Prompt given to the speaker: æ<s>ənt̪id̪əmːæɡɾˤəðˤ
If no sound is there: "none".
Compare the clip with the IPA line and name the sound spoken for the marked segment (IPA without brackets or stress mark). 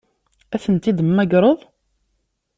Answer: θ